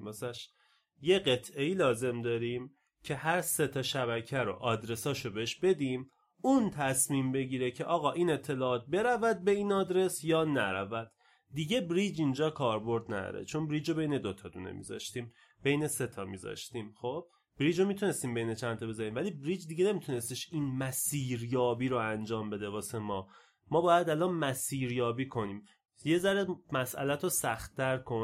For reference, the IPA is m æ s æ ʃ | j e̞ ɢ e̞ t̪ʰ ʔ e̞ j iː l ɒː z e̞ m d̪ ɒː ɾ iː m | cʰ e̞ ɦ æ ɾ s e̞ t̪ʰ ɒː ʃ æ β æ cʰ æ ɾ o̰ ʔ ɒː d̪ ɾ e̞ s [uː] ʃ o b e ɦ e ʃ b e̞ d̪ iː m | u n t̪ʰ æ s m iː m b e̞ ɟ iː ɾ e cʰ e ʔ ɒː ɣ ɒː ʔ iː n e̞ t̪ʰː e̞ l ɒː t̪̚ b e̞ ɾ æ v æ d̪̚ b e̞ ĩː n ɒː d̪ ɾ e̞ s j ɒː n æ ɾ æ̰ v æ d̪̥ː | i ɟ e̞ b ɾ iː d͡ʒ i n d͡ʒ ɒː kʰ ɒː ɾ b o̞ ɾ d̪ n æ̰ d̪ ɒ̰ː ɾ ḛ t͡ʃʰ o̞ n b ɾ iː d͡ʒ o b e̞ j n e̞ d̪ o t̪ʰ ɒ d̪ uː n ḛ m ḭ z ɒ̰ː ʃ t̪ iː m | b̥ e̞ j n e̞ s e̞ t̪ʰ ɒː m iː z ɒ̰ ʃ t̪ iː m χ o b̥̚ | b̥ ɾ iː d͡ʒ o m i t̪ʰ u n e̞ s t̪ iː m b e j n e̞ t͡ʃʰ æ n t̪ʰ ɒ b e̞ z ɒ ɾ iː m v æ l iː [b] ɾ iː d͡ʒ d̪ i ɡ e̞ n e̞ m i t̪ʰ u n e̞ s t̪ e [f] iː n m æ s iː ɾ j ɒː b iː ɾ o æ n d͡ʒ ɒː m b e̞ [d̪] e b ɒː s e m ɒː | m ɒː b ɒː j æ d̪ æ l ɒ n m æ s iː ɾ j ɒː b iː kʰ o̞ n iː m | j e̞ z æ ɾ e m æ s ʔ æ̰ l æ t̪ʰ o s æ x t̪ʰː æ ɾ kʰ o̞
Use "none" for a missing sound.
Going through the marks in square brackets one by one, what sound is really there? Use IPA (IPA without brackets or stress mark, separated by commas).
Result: ɒː, b, ʃ, d̪